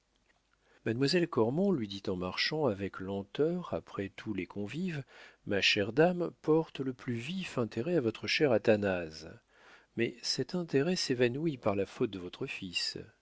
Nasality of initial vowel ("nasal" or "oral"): oral